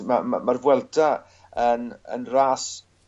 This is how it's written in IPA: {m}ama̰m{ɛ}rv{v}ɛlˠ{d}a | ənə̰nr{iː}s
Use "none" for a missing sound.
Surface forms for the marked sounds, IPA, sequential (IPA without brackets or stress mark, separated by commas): m, a, w, d, aː